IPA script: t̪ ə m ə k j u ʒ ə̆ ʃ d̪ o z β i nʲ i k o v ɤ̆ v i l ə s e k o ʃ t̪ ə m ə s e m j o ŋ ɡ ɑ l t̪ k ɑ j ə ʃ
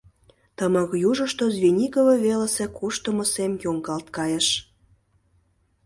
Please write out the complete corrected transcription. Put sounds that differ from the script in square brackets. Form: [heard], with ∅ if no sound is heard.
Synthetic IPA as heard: t̪ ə m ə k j u ʒ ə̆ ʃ [t̪] o z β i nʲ i k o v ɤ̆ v [e] l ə s e k [u] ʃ t̪ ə m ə s e m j o ŋ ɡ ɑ l t̪ k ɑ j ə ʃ